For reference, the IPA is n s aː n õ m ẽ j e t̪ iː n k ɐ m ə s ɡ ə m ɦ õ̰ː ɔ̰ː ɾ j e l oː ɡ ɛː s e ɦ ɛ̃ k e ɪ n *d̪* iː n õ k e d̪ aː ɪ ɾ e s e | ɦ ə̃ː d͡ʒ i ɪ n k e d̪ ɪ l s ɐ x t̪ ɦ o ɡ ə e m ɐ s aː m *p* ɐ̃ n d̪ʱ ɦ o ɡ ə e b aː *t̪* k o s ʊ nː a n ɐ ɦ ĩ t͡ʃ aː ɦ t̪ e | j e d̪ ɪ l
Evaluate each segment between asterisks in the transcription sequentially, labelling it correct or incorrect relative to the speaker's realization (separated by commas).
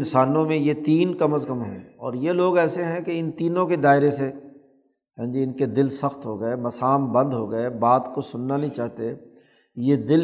incorrect, incorrect, correct